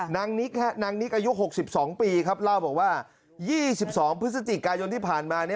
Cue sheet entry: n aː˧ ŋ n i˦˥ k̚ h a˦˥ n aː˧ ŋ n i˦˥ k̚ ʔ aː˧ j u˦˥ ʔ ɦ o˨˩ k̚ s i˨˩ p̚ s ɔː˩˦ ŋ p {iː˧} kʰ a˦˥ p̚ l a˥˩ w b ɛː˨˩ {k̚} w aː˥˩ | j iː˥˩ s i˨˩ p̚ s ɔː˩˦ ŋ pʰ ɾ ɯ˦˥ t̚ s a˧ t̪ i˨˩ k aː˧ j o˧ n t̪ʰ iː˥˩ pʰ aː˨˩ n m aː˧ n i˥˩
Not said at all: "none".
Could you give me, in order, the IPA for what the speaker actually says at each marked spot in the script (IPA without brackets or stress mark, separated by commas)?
iː˧, k̚